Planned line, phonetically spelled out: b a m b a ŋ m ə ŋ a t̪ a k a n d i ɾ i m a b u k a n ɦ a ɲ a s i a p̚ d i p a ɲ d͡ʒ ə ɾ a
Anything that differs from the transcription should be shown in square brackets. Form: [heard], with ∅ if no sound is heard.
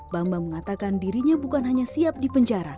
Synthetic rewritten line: b a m b a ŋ m ə ŋ a t̪ a k a n d i ɾ i [ɲ] a b u k a n ɦ a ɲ a s i a p̚ d i p [ə] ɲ d͡ʒ [a] ɾ a

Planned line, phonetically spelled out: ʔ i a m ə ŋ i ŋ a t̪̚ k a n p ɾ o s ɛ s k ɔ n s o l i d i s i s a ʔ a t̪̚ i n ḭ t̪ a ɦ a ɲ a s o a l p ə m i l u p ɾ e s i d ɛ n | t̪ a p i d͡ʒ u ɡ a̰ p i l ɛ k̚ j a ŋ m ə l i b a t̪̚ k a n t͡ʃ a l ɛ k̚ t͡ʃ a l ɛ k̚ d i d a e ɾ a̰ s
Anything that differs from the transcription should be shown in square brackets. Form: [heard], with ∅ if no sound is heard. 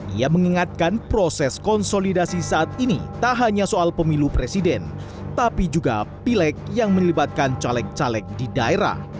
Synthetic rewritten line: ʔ i a m ə ŋ i ŋ a t̪̚ k a n p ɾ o s ɛ s k ɔ n s o l i d [a] s i s a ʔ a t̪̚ i n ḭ t̪ a ɦ a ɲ a s o a l p ə m i l u p ɾ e s i d ɛ n | t̪ a p i d͡ʒ u ɡ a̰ p i l ɛ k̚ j a ŋ m ə l i b a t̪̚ k a n t͡ʃ a l ɛ k̚ t͡ʃ a l ɛ k̚ d i d a e ɾ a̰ [h]

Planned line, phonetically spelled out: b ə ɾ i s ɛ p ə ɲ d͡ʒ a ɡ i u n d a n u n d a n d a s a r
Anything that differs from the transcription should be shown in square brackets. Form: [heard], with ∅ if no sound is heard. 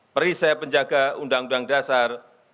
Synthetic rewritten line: [p] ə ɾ i s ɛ p ə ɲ d͡ʒ a ɡ [a] u n d a [ŋ] u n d a [ŋ] d a s a r

